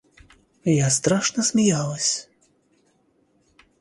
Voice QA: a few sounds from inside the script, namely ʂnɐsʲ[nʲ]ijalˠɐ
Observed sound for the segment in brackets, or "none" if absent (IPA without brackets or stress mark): mʲ